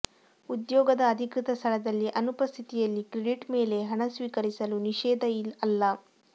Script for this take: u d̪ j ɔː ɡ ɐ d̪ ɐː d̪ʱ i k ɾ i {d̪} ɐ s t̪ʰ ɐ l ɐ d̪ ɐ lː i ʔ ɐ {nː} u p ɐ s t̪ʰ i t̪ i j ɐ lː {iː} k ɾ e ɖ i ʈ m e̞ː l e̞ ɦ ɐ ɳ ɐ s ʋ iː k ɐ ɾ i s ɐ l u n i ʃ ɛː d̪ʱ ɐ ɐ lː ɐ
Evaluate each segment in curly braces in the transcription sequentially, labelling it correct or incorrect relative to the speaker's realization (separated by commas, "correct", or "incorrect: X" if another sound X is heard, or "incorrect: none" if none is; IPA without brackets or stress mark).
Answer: incorrect: t̪, incorrect: n, incorrect: i